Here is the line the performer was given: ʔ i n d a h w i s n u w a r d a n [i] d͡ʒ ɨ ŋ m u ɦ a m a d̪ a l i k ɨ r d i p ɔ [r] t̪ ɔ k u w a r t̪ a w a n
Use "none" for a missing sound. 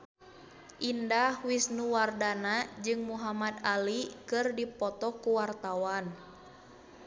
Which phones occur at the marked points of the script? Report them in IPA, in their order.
a, none

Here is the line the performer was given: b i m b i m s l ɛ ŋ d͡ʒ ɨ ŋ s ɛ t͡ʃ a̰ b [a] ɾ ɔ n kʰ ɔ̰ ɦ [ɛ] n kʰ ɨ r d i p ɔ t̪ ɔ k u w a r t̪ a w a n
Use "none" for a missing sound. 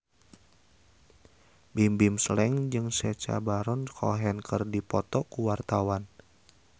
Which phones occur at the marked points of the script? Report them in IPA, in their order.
a, ɛ

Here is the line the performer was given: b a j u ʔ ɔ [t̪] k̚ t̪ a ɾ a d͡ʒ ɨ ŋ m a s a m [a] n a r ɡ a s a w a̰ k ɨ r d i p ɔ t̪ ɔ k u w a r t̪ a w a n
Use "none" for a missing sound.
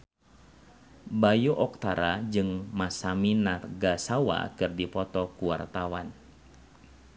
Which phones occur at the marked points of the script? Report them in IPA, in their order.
none, i

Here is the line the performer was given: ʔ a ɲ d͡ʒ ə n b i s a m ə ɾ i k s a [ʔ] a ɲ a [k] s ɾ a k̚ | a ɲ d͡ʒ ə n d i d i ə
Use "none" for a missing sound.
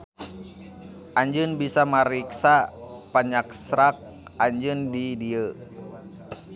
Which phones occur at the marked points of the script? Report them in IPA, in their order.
p, k

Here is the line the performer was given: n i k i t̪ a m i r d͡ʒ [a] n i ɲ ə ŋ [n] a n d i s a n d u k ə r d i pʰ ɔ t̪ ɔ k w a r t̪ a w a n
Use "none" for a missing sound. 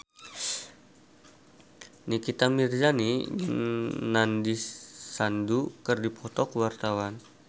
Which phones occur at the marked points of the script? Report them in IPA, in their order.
a, n

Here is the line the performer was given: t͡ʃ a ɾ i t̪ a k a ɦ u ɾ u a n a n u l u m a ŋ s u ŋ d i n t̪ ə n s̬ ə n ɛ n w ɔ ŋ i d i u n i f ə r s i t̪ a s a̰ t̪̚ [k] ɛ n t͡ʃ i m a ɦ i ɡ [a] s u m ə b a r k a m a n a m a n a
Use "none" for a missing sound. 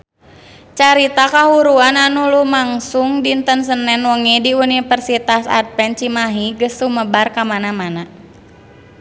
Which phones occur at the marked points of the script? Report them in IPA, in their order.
p, ə

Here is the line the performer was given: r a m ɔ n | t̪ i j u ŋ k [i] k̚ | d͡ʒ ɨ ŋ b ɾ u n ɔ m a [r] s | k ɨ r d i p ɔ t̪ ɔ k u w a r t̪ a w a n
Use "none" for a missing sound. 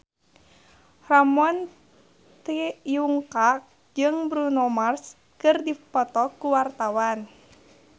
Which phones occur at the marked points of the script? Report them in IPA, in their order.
a, r

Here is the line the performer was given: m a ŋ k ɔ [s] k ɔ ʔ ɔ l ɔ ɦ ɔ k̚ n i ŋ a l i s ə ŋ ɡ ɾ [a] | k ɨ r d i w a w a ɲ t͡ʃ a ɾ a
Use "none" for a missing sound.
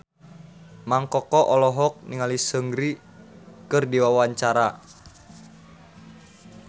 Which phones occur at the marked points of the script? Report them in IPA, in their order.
none, i

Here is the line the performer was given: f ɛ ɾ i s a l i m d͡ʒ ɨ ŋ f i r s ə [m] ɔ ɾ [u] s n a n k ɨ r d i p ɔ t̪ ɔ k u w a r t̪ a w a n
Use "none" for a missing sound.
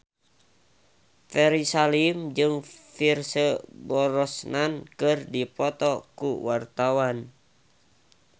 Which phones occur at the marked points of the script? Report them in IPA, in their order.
b, ɔ

